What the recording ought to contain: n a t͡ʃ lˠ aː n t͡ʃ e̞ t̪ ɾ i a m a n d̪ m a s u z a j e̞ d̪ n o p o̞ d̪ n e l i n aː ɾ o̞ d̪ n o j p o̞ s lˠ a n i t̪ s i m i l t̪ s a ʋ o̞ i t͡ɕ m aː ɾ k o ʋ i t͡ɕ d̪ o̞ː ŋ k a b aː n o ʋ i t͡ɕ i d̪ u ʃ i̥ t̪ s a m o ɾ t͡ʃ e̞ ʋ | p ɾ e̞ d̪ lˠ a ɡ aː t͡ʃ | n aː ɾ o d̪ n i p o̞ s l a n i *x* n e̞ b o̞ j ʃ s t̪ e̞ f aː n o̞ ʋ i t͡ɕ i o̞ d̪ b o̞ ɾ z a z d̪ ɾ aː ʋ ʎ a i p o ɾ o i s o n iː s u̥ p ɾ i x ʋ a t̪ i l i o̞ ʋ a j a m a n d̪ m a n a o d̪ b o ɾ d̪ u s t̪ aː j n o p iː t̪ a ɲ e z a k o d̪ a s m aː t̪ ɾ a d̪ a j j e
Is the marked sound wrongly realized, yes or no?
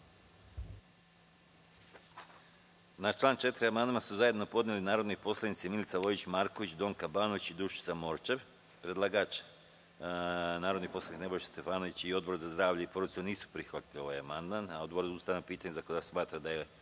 yes